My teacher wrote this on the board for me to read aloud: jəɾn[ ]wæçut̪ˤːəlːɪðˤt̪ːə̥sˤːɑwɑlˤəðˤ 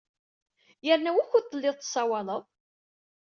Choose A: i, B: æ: B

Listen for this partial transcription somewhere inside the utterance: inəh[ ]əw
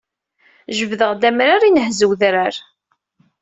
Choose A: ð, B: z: B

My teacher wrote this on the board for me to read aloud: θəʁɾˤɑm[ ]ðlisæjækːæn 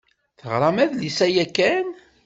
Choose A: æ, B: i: A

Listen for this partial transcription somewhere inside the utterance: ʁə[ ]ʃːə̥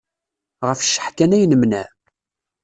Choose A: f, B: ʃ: A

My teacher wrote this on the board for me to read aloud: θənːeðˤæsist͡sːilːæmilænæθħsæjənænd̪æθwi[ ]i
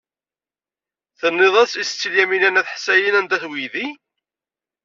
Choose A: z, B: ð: B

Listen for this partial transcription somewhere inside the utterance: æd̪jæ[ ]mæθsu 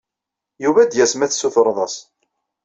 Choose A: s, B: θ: A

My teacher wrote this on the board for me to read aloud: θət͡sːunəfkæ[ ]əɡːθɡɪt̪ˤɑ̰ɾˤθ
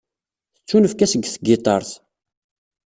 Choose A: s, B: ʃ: A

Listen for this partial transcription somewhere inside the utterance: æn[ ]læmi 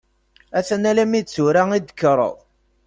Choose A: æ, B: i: A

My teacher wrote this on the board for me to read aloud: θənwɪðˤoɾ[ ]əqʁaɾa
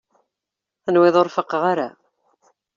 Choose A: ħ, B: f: B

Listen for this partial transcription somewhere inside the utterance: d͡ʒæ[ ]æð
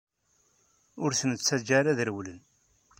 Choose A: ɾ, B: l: A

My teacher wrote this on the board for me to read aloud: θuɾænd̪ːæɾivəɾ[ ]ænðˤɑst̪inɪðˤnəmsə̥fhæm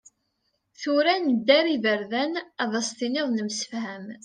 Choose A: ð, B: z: A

